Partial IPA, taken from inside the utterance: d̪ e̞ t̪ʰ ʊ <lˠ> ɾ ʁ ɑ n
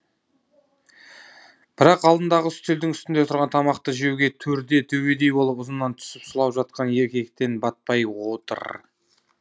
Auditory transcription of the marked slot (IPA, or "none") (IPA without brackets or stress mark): none